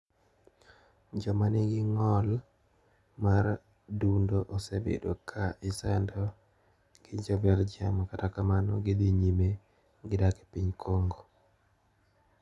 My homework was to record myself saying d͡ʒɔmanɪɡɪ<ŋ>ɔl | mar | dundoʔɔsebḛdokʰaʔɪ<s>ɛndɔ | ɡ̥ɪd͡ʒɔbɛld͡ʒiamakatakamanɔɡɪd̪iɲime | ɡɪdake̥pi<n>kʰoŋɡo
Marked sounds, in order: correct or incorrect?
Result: correct, correct, incorrect: ɲ

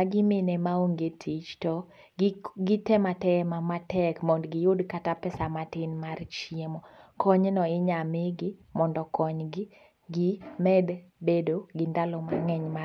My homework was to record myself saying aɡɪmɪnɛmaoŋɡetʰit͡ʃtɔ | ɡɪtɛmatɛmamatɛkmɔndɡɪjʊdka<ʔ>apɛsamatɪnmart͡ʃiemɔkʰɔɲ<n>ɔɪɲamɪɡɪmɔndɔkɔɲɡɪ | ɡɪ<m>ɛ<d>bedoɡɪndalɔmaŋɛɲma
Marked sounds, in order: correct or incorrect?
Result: incorrect: t, correct, correct, correct

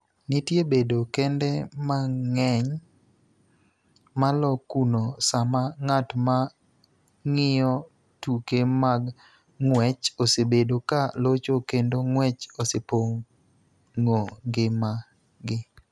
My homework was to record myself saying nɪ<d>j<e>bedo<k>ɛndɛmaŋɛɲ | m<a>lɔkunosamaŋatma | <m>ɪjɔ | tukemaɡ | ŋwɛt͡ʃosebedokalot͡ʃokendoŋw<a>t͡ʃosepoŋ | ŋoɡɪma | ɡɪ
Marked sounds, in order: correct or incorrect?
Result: incorrect: t, correct, correct, correct, incorrect: ŋ, incorrect: ɛ

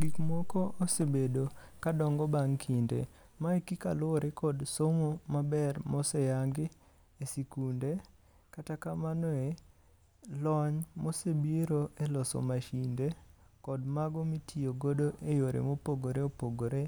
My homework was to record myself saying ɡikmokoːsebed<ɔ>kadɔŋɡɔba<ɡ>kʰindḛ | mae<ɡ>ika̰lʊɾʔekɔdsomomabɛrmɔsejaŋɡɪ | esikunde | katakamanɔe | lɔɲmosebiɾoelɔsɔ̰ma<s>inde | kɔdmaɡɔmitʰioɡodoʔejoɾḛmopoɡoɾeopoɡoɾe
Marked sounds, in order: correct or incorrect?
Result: incorrect: o, incorrect: ŋ, incorrect: k, incorrect: ʃ

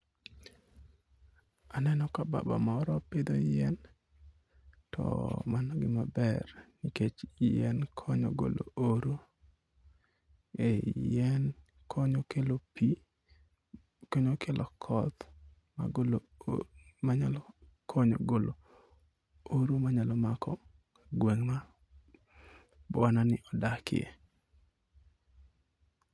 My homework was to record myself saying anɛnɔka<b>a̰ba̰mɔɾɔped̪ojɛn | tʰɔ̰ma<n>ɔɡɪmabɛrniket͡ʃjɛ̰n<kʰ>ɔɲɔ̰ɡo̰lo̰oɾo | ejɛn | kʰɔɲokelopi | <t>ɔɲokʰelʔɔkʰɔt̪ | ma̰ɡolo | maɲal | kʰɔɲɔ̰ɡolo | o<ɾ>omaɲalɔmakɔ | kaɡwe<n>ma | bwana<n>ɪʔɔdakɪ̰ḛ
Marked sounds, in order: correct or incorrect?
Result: correct, correct, correct, incorrect: k, correct, incorrect: ŋ, correct

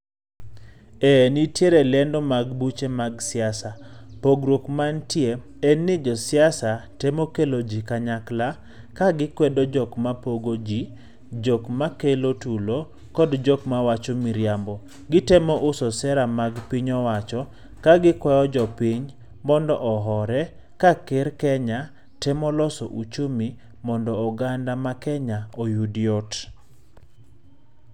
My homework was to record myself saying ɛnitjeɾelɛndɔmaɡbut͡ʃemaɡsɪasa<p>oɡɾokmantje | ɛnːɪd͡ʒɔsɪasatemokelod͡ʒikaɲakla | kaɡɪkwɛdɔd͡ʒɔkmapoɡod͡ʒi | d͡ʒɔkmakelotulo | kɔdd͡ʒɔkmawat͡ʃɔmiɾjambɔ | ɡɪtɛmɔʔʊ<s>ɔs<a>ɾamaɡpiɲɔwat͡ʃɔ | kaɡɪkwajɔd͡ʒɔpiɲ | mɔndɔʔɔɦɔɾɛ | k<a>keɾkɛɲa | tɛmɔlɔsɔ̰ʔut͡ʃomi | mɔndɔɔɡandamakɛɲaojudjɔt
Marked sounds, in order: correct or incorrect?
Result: correct, correct, incorrect: ɛ, correct

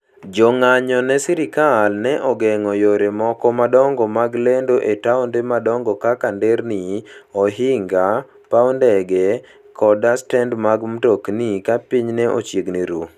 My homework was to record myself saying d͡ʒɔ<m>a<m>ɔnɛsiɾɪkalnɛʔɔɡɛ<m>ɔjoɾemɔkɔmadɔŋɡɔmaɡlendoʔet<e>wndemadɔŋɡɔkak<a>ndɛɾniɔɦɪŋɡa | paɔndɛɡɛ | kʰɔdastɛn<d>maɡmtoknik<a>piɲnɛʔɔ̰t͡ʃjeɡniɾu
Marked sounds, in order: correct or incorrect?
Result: incorrect: ŋ, incorrect: ɲ, incorrect: ŋ, incorrect: a, correct, correct, correct

